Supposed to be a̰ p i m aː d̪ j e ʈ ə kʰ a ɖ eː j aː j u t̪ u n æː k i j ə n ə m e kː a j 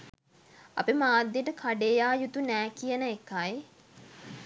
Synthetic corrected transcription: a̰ p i m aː d̪ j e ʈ ə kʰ a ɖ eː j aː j u t̪ u n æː k i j ə n ə e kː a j